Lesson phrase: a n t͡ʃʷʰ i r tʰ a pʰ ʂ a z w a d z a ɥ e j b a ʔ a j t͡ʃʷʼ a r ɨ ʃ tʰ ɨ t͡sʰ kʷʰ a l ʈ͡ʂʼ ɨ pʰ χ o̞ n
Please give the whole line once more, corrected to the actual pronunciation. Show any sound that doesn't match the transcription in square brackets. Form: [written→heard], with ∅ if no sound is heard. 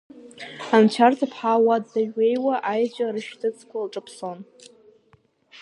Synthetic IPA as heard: a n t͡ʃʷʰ [i→a] r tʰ a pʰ [ʂ→ħ] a [z→∅] w a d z a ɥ e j [b→w] a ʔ a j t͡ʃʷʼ a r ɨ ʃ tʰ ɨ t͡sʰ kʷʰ a l ʈ͡ʂʼ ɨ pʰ [χ→s] o̞ n